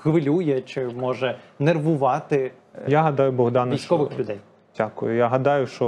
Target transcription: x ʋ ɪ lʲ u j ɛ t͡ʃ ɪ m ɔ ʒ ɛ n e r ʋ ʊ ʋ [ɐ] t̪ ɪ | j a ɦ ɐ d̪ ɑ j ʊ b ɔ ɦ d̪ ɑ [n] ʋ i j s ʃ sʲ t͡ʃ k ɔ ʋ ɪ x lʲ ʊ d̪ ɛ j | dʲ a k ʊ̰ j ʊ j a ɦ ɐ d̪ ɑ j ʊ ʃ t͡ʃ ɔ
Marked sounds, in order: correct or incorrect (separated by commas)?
incorrect, correct